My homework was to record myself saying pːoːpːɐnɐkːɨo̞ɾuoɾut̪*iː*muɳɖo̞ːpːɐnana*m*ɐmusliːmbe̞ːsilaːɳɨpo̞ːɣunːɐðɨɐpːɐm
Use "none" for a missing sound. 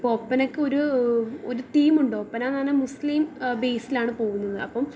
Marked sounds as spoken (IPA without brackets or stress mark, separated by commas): iː, n